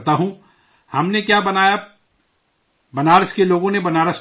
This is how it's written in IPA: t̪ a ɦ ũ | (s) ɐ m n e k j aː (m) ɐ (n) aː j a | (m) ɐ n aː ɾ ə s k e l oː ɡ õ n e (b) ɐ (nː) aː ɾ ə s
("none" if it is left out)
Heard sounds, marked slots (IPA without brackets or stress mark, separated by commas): h, b, n, b, b, n